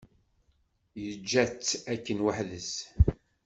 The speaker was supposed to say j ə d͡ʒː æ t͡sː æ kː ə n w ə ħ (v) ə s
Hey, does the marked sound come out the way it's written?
no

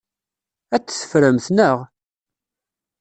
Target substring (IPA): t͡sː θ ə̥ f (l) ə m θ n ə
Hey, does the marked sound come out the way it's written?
no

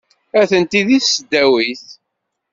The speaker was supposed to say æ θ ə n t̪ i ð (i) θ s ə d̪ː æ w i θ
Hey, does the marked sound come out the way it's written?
yes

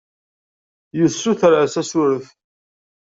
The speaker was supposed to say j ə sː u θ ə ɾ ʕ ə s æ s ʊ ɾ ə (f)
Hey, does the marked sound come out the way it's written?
no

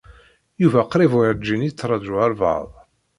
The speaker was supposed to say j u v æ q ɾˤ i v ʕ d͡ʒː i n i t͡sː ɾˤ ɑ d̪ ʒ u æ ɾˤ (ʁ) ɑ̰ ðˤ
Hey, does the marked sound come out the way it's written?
no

